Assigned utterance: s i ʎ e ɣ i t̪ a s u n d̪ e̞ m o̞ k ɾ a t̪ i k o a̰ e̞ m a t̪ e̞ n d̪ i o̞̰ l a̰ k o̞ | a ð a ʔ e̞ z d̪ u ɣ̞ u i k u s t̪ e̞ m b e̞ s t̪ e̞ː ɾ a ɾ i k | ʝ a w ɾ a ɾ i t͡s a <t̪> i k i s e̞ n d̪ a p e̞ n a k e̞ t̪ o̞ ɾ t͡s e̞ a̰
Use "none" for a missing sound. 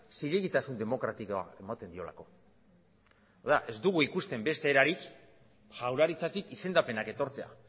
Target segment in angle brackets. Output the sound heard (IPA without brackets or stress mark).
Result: t̪